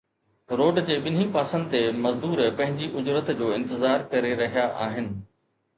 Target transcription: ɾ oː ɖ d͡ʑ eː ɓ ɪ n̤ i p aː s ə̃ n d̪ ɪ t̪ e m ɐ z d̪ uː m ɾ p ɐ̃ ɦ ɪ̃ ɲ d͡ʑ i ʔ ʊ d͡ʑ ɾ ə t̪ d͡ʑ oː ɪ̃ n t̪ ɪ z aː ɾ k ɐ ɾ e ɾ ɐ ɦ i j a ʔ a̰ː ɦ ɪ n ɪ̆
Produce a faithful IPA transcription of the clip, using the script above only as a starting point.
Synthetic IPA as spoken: ɾ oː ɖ d͡ʑ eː ɓ ɪ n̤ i p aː s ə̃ n d̪ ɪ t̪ e m ɐ z d̪ uː ɾ p ɐ̃ ɦ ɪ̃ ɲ d͡ʑ i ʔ ʊ d͡ʑ ɾ ə t̪ d͡ʑ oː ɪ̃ n t̪ ɪ z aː ɾ k ɐ ɾ e ɾ ɐ ɦ i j a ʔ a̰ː ɦ ɪ n ɪ̆